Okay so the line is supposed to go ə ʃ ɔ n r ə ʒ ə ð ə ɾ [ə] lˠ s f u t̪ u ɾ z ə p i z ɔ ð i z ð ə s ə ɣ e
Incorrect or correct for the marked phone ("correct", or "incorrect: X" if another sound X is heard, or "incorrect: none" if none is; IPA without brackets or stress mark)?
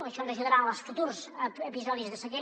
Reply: incorrect: a